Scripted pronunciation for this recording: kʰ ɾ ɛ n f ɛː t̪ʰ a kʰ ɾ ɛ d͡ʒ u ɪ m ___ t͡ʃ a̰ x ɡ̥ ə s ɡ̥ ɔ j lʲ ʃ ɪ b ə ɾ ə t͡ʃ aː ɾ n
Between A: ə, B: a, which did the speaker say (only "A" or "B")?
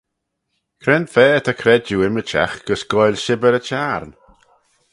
A